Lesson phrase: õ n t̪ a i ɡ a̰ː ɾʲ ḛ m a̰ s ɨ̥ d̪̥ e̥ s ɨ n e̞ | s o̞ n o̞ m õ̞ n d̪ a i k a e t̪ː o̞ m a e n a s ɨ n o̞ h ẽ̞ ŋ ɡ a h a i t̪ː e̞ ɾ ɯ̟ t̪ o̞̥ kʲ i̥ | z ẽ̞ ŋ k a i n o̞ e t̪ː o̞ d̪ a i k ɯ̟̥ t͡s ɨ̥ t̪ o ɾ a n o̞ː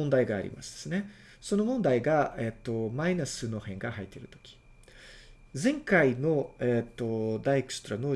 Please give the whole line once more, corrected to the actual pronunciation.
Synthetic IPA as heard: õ n d̪ a i ɡ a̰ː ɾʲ ḭ m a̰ s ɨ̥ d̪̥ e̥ s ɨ n e̞ | s o̞ n o̞ m õ̞ n d̪ a i ɡ a e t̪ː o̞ m a i n a s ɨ n o̞ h ẽ̞ ŋ ɡ a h a i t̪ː e̞ ɾ ɯ̟ t̪ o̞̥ kʲ i̥ | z ẽ̞ ŋ k a i n o̞ e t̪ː o̞ d̪ a i k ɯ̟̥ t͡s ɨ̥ t̪ o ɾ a n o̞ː

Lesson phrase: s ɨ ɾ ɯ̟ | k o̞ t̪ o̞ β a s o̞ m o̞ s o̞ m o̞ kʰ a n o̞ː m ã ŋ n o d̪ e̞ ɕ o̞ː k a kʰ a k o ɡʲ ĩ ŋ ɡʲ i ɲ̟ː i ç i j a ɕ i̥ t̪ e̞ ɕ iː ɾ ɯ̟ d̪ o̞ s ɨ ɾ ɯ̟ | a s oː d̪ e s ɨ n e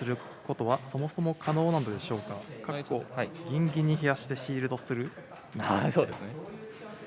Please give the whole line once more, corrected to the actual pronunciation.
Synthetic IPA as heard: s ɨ ɾ ɯ̟ | k o̞ t̪ o̞ β a s o̞ m o̞ s o̞ m o̞ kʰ a n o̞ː n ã n o d̪ e̞ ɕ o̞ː k a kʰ a k o ɡʲ ĩ ŋ ɡʲ i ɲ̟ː i ç i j a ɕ i̥ t̪ e̞ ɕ iː ɾ ɯ̟ d̪ o̞ s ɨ ɾ ɯ̟ | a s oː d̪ e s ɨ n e

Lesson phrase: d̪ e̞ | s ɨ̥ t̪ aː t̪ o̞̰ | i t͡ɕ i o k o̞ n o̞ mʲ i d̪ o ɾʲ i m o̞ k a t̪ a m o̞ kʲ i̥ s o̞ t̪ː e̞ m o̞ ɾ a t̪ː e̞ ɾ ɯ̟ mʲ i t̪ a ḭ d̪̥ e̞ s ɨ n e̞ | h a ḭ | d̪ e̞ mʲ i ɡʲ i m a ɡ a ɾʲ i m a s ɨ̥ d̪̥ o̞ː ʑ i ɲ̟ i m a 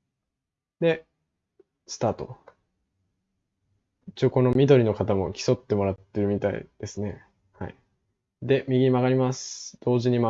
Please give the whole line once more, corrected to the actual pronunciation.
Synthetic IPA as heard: d̪ e̞ | s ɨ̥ t̪ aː t̪ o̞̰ | i t͡ɕ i o k o̞ n o̞ mʲ i d̪ o ɾʲ i n o̞ k a t̪ a m o̞ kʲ i̥ s o̞ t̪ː e̞ m o̞ ɾ a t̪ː e̞ ɾ ɯ̟ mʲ i t̪ a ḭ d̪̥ e̞ s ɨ n e̞ | h a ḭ | d̪ e̞ mʲ i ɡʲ i m a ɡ a ɾʲ i m a s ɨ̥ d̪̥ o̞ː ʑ i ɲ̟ i m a

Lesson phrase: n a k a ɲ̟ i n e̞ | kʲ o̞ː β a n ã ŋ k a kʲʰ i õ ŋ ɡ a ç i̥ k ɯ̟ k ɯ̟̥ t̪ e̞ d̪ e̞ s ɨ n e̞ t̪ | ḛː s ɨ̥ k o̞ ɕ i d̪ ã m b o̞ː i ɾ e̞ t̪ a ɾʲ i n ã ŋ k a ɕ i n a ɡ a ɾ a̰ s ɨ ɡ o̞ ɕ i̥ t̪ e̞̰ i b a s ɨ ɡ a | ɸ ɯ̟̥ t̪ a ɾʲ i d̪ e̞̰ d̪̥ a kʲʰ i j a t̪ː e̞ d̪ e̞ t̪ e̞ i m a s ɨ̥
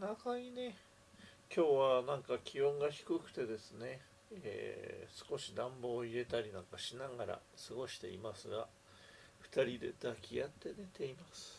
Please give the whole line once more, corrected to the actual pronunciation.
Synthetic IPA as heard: n a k a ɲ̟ i n e̞ | kʲ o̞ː β a n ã ŋ k a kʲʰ i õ ŋ ɡ a ç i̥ k ɯ̟ k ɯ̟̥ t̪ e̞ d̪ e̞ s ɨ n e̞ | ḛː s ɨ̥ k o̞ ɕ i d̪ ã m b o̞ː i ɾ e̞ t̪ a ɾʲ i n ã ŋ k a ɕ i n a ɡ a ɾ a̰ s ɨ ɡ o̞ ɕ i̥ t̪ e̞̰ i m a s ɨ ɡ a | ɸ ɯ̟̥ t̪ a ɾʲ i d̪ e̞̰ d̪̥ a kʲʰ i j a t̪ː e̞ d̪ e̞ t̪ e̞ i m a s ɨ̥

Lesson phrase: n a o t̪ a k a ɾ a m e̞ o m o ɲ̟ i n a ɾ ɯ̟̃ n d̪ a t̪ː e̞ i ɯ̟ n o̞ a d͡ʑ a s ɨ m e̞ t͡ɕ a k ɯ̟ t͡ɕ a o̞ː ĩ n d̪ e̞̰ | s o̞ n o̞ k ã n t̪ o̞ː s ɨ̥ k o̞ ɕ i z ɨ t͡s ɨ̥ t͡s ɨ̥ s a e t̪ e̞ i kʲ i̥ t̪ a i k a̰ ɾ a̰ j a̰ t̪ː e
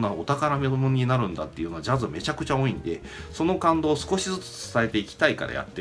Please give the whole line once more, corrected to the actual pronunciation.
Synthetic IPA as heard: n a o t̪ a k a ɾ a m e̞ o m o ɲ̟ i n a ɾ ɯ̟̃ n d̪ a t̪ː e̞ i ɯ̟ n o̞ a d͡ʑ a z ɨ m e̞ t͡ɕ a k ɯ̟ t͡ɕ a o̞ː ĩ n d̪ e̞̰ | s o̞ n o̞ k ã n d̪ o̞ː s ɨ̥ k o̞ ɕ i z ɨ t͡s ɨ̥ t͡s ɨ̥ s a e t̪ e̞ i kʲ i̥ t̪ a i k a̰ ɾ a̰ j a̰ t̪ː e

